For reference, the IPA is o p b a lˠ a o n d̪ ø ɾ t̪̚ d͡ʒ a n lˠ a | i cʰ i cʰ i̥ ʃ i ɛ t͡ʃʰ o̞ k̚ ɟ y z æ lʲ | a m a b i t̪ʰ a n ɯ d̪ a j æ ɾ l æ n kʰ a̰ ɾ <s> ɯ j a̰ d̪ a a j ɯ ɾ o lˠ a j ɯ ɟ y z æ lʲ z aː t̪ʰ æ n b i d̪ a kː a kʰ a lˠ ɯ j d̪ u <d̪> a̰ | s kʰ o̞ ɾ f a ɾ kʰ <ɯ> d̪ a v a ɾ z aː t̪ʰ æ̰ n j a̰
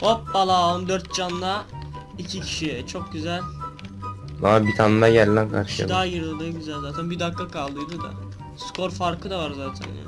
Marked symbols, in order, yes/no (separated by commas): no, yes, yes